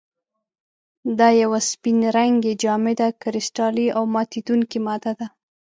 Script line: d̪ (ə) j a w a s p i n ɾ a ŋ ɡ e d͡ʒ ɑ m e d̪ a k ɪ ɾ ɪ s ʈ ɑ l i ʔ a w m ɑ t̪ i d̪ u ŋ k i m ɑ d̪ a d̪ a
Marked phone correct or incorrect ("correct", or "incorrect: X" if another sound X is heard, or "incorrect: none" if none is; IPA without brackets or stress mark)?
incorrect: ɑ